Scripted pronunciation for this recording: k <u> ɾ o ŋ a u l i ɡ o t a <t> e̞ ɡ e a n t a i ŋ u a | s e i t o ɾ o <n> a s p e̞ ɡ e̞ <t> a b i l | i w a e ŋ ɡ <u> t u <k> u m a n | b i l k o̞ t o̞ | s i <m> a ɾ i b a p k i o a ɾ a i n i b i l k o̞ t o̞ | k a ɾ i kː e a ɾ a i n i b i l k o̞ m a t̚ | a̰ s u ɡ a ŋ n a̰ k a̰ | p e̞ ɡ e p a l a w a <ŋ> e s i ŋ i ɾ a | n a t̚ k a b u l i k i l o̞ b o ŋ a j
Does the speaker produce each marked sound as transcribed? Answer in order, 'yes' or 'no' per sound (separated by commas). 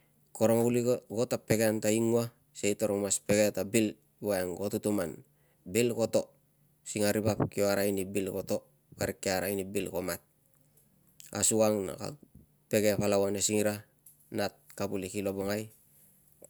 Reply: no, no, no, yes, no, no, no, no